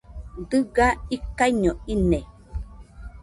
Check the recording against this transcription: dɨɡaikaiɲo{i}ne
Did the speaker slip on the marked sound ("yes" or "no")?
no